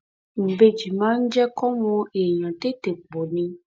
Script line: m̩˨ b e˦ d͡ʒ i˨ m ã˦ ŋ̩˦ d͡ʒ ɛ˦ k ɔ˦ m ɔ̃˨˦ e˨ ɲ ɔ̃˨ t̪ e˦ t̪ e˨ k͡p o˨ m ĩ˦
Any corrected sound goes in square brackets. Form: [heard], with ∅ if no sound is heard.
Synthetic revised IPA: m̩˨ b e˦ d͡ʒ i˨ m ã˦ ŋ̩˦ d͡ʒ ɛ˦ k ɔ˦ m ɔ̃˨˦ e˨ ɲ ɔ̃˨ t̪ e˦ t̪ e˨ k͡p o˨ [n] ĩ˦